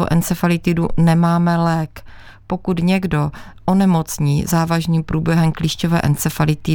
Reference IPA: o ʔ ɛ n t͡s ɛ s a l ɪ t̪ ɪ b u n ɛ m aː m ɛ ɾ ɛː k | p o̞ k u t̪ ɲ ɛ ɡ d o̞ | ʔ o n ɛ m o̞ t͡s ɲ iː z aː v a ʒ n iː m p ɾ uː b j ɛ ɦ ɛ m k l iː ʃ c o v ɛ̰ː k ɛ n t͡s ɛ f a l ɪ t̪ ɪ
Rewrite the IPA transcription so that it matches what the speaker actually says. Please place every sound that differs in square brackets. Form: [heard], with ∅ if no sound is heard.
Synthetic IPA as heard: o ʔ ɛ n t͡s ɛ [f] a l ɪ t̪ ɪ [d] u n ɛ m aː m ɛ [l] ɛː k | p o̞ k u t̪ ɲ ɛ ɡ d o̞ | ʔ o n ɛ m o̞ t͡s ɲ iː z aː v a ʒ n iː m p ɾ uː b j ɛ ɦ ɛ m k l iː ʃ c o v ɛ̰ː [ʔ] ɛ n t͡s ɛ f a l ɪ t̪ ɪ